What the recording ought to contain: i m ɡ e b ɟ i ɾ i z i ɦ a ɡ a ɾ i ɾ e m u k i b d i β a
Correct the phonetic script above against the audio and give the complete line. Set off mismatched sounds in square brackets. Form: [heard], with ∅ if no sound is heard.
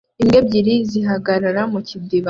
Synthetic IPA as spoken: i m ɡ e b ɟ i ɾ i z i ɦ a ɡ a ɾ [a] ɾ [a] m u [c] i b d i β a

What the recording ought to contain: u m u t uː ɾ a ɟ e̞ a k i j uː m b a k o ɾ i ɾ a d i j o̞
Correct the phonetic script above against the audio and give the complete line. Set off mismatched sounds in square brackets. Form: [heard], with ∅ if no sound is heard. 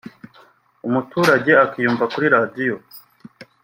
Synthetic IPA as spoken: u m u t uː ɾ a ɟ e̞ a k i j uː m [v] a k [u] ɾ i ɾ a d i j o̞

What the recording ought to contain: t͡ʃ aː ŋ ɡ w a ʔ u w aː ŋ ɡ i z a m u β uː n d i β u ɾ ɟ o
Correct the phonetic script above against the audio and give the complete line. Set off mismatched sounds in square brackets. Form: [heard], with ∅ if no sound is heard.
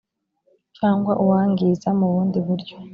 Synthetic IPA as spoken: t͡ʃ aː ŋ ɡ w a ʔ u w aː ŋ ɡ i z a m u β uː n d i β u ɾ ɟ o

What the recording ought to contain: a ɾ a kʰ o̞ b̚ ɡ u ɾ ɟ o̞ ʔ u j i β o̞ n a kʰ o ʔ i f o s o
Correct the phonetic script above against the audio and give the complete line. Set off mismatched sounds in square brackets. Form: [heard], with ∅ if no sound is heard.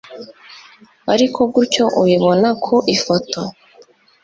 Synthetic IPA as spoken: a ɾ [i] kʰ o̞ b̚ ɡ u ɾ [c] o̞ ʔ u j i β o̞ n a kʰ o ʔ i f o [t] o

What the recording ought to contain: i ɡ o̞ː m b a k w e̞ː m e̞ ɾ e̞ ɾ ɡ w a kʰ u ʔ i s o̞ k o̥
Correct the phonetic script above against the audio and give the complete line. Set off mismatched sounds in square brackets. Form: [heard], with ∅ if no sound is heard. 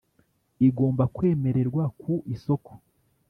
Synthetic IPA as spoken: i ɡ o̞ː m b a k w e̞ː m e̞ ɾ e̞ ɾ ɡ w a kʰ u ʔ i s o̞ k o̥

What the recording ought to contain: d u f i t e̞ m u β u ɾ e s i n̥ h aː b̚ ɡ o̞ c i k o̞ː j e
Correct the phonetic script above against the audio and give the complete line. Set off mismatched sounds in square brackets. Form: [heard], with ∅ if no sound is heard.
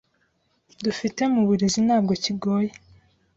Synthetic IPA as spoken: d u f i t e̞ m u β u ɾ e [z] i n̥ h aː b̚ ɡ o̞ c i [ɡ] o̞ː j e

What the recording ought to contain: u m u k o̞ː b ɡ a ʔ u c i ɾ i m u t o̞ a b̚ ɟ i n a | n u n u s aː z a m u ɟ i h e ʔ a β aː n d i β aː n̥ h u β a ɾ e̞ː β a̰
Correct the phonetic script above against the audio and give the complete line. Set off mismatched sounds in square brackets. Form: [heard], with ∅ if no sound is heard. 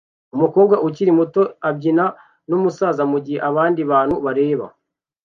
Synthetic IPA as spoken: u m u k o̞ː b ɡ a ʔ u c i ɾ i m u t o̞ a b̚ ɟ i n a | n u [m] u s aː z a m u ɟ i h e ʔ a β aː n d i β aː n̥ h u β a ɾ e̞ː β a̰

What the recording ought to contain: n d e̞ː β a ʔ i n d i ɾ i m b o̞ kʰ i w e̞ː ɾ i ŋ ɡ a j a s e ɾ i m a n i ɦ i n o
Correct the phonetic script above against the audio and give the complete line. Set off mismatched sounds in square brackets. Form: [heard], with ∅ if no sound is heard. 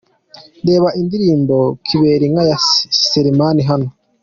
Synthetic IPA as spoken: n d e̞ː β a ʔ i n d i ɾ [iː] m b o̞ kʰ i [β] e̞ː ɾ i ŋ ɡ a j a s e ɾ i m a n i ɦ [a] n o

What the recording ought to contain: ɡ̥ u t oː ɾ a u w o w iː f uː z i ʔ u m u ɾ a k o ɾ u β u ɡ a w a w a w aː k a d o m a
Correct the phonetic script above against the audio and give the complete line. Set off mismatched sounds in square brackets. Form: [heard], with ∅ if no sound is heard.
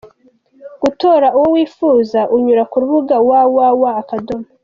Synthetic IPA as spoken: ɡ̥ u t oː ɾ a u w o w iː f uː z [a] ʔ u [ɲ] u ɾ a k [u] ɾ u β u ɡ a w a w a w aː k a d o m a

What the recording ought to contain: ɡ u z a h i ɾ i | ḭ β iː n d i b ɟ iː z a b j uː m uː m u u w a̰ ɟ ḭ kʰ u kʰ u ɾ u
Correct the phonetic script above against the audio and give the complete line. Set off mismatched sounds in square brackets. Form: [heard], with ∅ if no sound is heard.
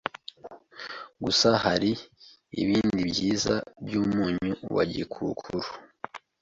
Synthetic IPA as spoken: ɡ u [s] a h [a] ɾ i | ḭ β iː n d i b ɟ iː z a b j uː m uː [ɲ] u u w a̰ ɟ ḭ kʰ u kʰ u ɾ u

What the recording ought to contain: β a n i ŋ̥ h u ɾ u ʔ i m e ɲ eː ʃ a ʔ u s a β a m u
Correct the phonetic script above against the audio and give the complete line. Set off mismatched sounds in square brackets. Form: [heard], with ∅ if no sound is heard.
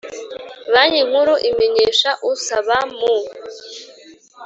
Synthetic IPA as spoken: β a [ɲ] i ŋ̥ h u ɾ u ʔ i m e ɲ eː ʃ a ʔ u s a β a m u

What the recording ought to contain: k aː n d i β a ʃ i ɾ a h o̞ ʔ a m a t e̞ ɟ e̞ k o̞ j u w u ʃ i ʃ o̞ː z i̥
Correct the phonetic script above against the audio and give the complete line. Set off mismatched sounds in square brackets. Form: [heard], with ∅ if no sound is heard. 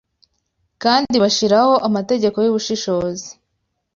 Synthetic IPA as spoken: k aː n d i β a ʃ i ɾ a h o̞ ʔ a m a t e̞ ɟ e̞ k o̞ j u [β] u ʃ i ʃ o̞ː z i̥

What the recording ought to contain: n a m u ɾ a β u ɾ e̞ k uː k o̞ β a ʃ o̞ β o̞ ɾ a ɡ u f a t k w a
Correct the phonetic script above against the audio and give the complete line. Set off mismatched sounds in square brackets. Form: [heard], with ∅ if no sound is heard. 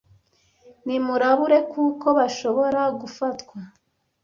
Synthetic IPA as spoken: n [i] m u ɾ a β u ɾ e̞ k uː k o̞ β a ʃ o̞ β o̞ ɾ a ɡ u f a t k w a

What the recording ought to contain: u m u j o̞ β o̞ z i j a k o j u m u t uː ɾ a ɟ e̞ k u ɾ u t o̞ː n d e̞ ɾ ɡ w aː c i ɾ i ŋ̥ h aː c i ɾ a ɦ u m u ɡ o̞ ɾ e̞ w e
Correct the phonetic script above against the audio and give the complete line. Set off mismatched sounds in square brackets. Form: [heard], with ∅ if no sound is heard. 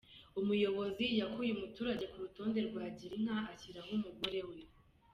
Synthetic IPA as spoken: u m u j o̞ β o̞ z i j a k [u] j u m u t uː ɾ a ɟ e̞ k u ɾ u t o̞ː n d e̞ ɾ ɡ w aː [ɟ] i ɾ i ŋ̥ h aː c i ɾ a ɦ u m u ɡ o̞ ɾ e̞ w e

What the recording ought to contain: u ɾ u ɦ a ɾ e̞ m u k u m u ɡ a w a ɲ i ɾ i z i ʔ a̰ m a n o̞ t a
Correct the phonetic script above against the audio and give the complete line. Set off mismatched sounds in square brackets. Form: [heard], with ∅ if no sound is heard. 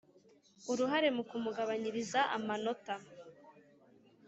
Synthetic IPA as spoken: u ɾ u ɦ a ɾ e̞ m u k u m u ɡ a [β] a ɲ i ɾ i z [a] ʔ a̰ m a n o̞ t a

